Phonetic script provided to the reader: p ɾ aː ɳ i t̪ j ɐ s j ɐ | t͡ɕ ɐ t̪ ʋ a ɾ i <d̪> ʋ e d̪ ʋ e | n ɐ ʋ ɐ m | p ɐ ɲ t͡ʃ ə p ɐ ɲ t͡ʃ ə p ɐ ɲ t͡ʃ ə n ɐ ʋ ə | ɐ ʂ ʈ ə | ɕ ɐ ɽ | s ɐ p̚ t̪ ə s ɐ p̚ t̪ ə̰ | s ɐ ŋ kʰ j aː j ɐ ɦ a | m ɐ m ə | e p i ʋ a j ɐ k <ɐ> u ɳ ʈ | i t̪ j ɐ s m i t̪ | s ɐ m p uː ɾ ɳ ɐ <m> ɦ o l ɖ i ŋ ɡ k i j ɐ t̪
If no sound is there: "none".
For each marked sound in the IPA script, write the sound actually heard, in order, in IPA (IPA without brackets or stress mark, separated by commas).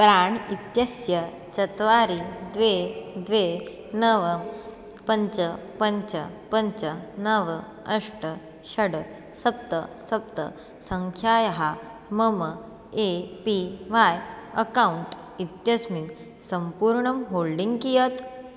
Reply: d̪, a, m